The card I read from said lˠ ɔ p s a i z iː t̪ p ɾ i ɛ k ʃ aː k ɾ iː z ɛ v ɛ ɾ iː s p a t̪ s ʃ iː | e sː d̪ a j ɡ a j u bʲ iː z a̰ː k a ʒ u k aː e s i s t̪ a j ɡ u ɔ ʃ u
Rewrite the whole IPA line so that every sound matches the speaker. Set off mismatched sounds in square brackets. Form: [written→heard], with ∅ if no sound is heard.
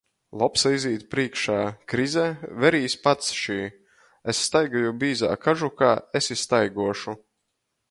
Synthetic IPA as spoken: lˠ ɔ p s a i z iː t̪ p ɾ i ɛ k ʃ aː k ɾ [iː→i] z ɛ v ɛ ɾ iː s p a t̪ s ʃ iː | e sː [d̪→t̪] a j ɡ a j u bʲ iː z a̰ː k a ʒ u k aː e s i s t̪ a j ɡ u ɔ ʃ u